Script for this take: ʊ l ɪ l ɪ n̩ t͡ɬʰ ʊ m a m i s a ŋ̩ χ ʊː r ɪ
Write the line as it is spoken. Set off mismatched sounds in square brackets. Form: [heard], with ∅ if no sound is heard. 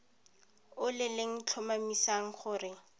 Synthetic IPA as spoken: ʊ l ɪ l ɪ [ŋ̩] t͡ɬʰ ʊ m a m i s a ŋ̩ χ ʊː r ɪ